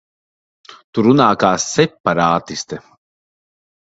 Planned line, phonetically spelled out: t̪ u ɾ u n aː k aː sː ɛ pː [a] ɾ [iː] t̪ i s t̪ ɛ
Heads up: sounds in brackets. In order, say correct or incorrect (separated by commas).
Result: correct, incorrect